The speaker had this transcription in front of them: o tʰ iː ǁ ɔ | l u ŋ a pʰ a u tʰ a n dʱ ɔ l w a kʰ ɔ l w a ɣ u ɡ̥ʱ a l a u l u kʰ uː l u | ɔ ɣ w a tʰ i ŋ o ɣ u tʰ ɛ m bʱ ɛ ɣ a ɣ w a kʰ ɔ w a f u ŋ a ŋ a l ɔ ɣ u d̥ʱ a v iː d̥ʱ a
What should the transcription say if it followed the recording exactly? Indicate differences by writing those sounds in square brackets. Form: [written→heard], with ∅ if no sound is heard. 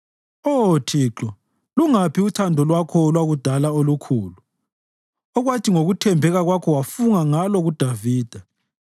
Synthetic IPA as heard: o tʰ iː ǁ ɔ | l u ŋ a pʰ [a→i] u tʰ a n dʱ ɔ l w a kʰ ɔ l w a ɣ u [ɡ̥ʱ→d̥ʱ] a l a [u→o] l u kʰ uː l u | ɔ ɣ w a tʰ i ŋ o ɣ u tʰ ɛ m bʱ ɛ ɣ a ɣ w a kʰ ɔ w a f u ŋ a ŋ a l ɔ ɣ u d̥ʱ a v iː d̥ʱ a